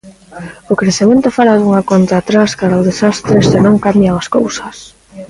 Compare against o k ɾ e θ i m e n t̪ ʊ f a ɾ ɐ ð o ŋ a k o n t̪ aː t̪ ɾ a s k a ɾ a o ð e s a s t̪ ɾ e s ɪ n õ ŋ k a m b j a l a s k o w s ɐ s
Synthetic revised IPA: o k ɾ e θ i m e n t̪ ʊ f a ɾ a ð u ŋ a k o n t̪ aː t̪ ɾ a s k a ɾ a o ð e s a s t̪ ɾ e s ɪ n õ ŋ k a m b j a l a s k o w s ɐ s